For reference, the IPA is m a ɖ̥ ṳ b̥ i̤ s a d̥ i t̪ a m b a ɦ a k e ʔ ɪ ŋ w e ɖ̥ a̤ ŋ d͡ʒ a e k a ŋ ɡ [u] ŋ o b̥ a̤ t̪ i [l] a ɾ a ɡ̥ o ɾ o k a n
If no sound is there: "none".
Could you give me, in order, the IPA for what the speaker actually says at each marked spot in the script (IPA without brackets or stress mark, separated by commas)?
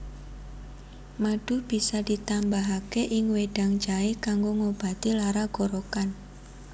o, l